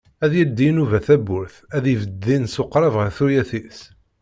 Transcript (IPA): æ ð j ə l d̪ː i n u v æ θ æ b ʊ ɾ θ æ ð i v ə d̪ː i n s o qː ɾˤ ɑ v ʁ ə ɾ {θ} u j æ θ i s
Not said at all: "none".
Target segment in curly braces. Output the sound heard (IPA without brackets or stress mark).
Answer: θ